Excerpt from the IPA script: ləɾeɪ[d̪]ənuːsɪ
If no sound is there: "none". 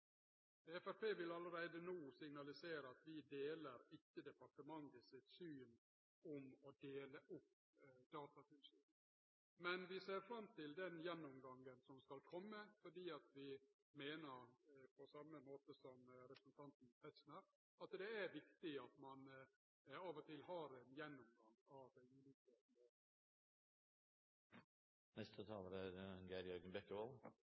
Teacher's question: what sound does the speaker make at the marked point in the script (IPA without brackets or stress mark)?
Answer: d̪